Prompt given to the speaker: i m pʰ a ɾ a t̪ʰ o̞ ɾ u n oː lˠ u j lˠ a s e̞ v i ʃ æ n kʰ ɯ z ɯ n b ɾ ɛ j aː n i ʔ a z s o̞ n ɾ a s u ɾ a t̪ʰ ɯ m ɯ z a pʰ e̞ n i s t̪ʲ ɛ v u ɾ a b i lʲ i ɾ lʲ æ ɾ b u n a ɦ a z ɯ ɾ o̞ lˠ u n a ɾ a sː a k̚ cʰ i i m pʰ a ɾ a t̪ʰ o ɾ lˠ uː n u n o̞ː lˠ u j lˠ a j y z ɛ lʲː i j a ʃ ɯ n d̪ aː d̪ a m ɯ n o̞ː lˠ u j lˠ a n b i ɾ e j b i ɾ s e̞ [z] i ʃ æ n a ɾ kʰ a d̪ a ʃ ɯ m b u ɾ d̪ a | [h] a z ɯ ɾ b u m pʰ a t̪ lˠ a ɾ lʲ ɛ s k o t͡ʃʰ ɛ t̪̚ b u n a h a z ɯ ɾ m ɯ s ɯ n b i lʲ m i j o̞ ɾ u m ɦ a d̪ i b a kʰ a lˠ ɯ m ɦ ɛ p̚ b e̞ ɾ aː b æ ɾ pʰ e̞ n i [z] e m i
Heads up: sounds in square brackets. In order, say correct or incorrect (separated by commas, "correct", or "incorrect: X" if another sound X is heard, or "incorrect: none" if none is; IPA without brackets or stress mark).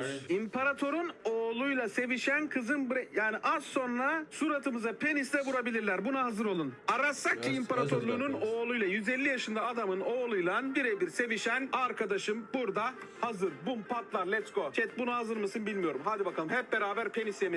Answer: incorrect: v, correct, incorrect: s